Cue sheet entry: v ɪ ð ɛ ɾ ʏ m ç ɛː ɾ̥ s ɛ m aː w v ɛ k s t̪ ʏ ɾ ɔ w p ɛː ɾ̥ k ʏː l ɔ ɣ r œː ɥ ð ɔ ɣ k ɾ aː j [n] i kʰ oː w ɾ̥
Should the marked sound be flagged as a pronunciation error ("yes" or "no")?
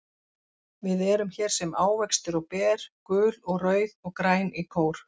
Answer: no